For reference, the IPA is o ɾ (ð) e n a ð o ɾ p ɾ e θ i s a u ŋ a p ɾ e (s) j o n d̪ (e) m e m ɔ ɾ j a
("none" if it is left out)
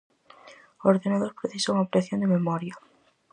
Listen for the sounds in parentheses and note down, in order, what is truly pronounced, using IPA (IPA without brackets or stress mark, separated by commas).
ð, θ, e